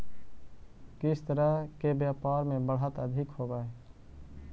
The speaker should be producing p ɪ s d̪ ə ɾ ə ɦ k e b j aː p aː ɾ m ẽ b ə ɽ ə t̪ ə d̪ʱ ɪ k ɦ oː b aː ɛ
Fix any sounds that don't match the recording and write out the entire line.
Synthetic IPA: k ɪ s t̪ ə ɾ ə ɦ k e b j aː p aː ɾ m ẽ b ə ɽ ə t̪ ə d̪ʱ ɪ k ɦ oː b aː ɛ

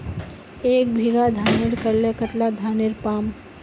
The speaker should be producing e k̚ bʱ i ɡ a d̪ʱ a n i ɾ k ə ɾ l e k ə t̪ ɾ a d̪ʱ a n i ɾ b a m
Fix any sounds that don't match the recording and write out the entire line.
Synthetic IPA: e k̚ bʱ i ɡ a d̪ʱ a n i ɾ k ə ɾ l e k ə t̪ l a d̪ʱ a n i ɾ p a m

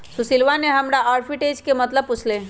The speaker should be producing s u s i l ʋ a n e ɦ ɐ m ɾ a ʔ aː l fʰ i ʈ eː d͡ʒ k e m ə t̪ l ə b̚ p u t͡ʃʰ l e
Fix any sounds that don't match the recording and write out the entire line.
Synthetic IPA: s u s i l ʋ a n e ɦ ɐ m ɾ a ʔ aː ɾ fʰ i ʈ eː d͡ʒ k e m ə t̪ l ə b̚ p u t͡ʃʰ l e

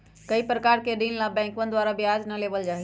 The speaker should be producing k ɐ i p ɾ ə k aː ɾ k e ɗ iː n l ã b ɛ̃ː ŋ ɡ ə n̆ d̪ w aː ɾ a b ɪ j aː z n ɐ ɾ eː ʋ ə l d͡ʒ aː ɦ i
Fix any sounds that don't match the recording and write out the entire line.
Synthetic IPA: k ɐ i p ɾ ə k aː ɾ k e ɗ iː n l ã b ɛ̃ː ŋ k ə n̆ d̪ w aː ɾ a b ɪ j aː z n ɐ l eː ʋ ə l d͡ʒ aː ɦ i

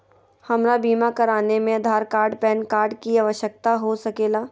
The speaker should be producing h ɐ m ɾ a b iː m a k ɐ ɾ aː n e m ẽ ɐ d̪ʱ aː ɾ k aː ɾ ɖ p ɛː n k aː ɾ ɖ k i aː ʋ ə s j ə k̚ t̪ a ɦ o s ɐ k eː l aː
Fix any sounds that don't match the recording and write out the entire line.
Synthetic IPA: h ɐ m ɾ a b iː m a k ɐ ɾ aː n e m ẽ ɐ d̪ʱ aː ɾ k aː ɾ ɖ p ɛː n k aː ɾ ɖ k i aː ʋ ə ʃ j ə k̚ t̪ a ɦ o s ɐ k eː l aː

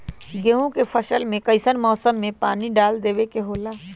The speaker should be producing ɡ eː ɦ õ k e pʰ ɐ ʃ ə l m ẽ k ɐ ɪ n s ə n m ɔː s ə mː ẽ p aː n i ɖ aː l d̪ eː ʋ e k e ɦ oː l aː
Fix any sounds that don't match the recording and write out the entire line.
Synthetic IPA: ɡ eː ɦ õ k e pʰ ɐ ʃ ə l m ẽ k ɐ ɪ s ə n m ɔː s ə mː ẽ p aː n i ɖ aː l d̪ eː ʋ e k e ɦ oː l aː

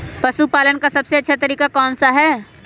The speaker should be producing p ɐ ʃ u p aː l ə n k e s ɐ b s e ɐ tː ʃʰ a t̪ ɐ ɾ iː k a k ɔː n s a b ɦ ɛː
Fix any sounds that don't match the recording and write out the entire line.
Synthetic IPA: p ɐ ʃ u p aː l ə n k a s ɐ b s e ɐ tː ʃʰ a t̪ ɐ ɾ iː k a k ɔː n s a ɦ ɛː

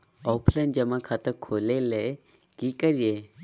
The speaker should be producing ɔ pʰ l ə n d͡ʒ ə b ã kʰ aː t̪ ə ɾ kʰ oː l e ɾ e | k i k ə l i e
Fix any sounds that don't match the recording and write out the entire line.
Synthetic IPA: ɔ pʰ l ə n d͡ʒ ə m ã kʰ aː t̪ ə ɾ kʰ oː l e l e | k i k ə ɾ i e

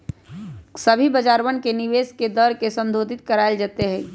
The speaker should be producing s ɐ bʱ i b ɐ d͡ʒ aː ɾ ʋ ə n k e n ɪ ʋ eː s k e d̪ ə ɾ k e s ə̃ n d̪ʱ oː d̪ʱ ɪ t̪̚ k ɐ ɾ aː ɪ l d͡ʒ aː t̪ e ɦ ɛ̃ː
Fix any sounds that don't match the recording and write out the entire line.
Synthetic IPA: s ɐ bʱ i b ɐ d͡ʒ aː ɾ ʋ ə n k e n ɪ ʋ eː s k e d̪ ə ɾ k e s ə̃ n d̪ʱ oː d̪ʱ ɪ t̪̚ k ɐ ɾ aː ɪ l d͡ʒ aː t̪ e ɦ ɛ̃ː

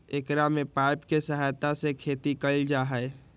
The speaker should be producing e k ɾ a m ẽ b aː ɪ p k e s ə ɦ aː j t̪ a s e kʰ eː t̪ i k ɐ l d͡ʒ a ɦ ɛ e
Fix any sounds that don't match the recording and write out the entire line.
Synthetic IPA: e k ɾ a m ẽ p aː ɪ p k e s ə ɦ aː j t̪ a s e kʰ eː t̪ i k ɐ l d͡ʒ a ɦ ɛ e

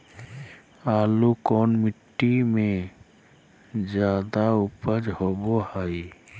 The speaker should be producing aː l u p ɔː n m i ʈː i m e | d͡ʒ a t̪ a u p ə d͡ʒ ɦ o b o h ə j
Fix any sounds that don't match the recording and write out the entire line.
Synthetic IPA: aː l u k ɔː n m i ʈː i m e | d͡ʒ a d̪ a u p ə d͡ʒ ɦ o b o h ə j

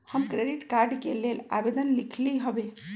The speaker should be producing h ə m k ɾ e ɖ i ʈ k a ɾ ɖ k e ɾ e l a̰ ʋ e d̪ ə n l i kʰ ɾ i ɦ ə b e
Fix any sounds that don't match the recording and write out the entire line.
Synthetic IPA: h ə m k ɾ e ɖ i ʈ k a ɾ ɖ k e l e l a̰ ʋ e d̪ ə n l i kʰ l i ɦ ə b e

